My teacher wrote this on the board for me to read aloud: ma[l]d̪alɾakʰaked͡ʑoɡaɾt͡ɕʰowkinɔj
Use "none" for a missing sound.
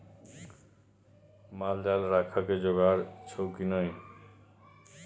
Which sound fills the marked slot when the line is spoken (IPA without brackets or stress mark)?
l